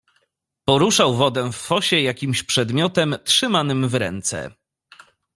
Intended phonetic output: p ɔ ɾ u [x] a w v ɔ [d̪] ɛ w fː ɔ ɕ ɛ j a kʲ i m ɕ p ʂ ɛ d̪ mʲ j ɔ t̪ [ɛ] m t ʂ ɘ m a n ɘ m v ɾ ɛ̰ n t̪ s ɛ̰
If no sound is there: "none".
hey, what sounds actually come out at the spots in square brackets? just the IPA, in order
ʂ, d̪, ɛ

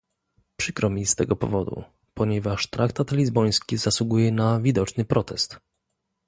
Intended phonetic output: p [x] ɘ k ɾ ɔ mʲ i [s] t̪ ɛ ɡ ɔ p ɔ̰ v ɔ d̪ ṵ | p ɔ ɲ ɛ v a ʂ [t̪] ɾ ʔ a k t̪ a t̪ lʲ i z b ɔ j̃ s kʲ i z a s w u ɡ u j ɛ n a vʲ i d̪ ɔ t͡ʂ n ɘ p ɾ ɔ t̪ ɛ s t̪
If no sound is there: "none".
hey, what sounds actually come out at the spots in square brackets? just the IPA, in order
ʂ, s, t̪

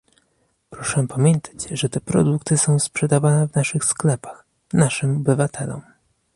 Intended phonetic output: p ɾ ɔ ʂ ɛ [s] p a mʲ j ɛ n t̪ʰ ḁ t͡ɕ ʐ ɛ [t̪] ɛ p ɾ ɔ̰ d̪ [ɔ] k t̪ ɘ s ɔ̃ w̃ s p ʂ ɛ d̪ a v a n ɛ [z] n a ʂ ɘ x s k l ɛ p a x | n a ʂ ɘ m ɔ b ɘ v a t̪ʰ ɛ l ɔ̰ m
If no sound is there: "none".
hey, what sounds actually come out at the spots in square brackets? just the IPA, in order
none, t̪, u, v

